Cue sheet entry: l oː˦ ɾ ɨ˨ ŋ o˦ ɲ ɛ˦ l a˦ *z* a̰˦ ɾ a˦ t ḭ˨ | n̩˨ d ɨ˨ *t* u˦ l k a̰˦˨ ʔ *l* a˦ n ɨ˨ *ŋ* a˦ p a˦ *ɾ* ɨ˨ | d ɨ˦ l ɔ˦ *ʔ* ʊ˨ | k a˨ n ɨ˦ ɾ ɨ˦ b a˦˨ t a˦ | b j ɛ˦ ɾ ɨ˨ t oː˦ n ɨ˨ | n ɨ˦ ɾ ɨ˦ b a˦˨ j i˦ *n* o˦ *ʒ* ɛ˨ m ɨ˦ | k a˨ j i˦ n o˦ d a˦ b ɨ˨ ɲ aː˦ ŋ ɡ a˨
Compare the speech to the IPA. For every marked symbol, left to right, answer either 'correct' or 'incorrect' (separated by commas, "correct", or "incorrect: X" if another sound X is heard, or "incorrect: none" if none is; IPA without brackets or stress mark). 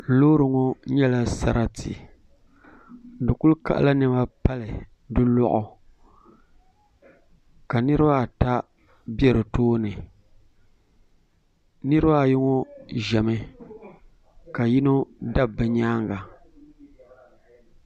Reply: incorrect: s, incorrect: k, correct, incorrect: m, incorrect: l, correct, incorrect: ŋ, correct